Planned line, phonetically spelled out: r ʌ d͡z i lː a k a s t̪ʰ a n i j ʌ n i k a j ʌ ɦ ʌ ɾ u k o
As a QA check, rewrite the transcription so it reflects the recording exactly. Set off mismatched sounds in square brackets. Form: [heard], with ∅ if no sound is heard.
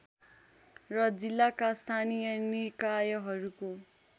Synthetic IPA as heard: r ʌ d͡z i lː a k a s t̪ʰ a n i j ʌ n i k a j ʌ ɦ ʌ ɾ u k o

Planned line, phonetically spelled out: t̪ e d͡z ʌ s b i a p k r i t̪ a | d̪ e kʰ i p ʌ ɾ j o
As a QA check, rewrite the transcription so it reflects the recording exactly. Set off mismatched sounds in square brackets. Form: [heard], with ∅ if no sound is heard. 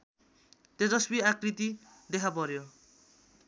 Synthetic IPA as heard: t̪ e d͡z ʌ s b i a [∅] k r i t̪ [i] | d̪ e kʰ [a] p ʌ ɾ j o

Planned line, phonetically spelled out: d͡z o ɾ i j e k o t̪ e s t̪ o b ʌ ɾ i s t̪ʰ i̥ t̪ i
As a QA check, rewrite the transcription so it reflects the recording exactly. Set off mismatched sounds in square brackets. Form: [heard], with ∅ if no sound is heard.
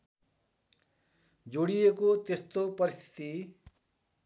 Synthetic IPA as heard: d͡z o [ɽ] i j e k o t̪ e s t̪ o [p] ʌ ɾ i s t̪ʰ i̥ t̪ i

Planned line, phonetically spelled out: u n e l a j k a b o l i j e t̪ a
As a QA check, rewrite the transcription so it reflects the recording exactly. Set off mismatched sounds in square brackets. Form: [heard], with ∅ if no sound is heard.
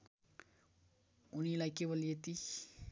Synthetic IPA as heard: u n [i] l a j k [e] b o l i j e t̪ [i]

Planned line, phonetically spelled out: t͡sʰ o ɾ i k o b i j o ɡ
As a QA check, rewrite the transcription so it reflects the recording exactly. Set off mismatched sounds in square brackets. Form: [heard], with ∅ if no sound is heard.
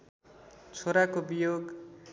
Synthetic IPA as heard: t͡sʰ o ɾ [a] k o b i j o ɡ

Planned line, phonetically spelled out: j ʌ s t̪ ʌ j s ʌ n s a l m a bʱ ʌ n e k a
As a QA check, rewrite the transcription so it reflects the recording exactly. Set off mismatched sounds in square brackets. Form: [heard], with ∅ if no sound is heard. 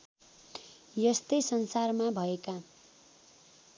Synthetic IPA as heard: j ʌ s t̪ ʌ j s ʌ n s a [r] m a bʱ ʌ [∅] e k a

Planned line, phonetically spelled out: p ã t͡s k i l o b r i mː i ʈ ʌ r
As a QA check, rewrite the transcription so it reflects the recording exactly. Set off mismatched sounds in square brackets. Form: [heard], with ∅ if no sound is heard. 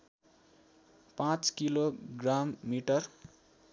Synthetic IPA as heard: p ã t͡s k i l o [ɡ] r [a] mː i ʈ ʌ r

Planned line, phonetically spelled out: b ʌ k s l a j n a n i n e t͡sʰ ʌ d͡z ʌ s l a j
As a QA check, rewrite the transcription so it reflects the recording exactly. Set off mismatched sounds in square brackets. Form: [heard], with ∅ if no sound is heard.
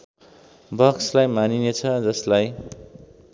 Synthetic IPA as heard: b ʌ k s l a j [m] a n i n e t͡sʰ ʌ d͡z ʌ s l a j

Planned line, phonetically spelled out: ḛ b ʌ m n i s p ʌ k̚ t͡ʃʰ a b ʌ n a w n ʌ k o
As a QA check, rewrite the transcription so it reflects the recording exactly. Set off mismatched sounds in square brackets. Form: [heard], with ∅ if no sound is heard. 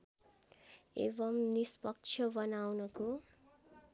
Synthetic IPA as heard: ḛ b ʌ m n i s p ʌ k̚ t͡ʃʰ [ʌ] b ʌ n a w n ʌ k o

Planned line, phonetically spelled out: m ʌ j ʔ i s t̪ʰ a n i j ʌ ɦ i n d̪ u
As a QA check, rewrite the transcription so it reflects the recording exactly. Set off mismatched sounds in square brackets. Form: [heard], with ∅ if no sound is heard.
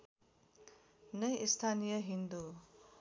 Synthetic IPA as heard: [n] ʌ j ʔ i s t̪ʰ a n i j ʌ ɦ i n d̪ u

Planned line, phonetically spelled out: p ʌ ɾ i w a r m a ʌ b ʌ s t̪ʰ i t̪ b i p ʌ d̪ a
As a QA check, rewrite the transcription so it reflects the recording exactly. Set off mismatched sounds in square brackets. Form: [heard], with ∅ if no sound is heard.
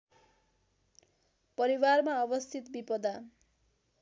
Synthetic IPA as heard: p ʌ ɾ i w a r m a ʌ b ʌ s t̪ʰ i t̪ b i p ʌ d̪ a

